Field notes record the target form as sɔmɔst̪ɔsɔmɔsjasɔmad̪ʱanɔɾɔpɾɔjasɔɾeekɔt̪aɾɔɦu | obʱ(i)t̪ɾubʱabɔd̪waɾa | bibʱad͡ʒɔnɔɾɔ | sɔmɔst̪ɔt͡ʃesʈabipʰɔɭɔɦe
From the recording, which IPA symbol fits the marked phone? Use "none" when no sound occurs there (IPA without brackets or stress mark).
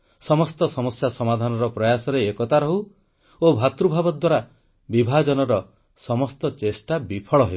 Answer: a